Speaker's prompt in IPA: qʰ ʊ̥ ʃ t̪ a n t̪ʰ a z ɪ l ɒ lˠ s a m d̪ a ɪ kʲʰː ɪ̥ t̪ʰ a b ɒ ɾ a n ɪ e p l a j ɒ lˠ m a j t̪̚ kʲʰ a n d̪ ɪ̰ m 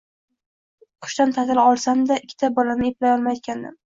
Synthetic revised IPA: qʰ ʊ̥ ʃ t̪ a n t̪ʰ a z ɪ l ɒ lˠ s a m d̪ a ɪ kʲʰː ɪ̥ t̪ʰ a b ɒ l a n ɪ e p l a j ɒ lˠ m a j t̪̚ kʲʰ a n d̪ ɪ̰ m